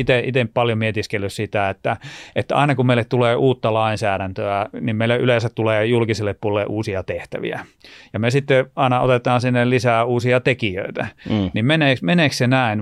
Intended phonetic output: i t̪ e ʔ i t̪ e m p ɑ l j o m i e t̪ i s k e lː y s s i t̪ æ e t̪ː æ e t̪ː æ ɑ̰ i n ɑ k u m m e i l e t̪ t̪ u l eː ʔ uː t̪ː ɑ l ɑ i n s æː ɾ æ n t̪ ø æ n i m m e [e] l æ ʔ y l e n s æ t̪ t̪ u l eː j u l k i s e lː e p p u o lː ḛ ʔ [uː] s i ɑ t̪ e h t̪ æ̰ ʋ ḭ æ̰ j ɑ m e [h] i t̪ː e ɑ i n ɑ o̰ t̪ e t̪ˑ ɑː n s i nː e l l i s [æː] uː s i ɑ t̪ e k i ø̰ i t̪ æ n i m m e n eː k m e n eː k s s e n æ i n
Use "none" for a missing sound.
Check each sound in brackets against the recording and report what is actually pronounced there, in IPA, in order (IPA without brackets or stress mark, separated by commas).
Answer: i, uː, s, æː